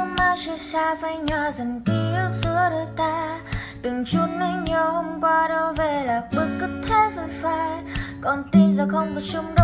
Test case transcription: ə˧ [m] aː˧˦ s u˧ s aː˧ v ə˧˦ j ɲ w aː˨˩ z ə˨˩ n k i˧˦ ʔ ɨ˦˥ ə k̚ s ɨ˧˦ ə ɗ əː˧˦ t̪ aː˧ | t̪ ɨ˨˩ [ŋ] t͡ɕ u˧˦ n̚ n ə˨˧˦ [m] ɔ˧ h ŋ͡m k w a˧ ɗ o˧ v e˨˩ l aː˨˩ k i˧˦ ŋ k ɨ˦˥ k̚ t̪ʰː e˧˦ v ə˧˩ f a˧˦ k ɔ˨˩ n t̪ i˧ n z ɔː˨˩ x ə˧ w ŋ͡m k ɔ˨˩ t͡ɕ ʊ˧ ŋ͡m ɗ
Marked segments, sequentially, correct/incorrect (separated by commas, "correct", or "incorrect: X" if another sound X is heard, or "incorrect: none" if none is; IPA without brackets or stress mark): correct, correct, incorrect: ɲ